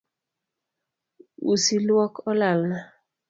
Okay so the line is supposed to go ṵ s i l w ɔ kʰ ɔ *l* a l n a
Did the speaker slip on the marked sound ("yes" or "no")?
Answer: no